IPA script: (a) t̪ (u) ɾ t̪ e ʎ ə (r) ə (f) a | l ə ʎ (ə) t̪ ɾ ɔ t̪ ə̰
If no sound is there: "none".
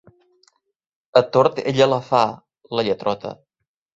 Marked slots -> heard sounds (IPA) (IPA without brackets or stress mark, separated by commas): ə, o, l, f, ə